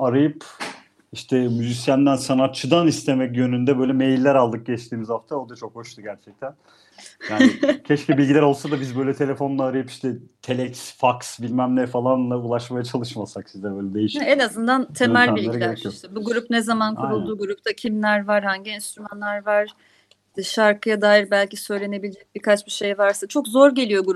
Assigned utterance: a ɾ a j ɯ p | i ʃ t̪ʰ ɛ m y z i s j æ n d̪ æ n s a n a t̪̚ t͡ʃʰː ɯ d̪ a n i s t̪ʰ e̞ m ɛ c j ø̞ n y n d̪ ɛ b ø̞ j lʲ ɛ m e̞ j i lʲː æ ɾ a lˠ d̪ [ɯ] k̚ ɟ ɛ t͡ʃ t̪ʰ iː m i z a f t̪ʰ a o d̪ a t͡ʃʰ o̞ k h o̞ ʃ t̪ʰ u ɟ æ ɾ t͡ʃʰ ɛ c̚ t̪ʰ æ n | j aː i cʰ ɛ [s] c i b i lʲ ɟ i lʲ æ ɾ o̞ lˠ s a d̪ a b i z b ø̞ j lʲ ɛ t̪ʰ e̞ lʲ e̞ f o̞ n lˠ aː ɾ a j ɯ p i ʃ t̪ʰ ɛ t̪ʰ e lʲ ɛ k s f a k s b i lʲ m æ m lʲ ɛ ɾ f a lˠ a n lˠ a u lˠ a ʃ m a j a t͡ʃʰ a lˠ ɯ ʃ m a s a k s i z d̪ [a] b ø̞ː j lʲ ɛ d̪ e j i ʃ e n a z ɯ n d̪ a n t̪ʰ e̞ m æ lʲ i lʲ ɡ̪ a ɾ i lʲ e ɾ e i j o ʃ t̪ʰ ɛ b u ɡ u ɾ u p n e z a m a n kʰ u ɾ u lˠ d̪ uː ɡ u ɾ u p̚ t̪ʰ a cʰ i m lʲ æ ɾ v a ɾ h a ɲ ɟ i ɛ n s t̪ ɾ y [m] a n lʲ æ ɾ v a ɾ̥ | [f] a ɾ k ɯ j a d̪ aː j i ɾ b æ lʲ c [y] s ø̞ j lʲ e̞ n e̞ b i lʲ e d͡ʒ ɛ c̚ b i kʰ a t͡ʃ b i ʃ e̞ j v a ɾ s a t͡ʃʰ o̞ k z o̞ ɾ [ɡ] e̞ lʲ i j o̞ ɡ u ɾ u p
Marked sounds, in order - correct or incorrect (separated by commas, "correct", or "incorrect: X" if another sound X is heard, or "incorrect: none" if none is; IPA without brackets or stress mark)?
correct, incorrect: ʃ, incorrect: ɛ, correct, incorrect: ʃ, incorrect: i, incorrect: ɟ